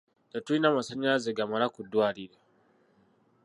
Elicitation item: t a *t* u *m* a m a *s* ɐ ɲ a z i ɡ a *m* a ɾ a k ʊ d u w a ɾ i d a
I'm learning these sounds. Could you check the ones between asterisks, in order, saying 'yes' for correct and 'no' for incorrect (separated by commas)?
yes, no, yes, yes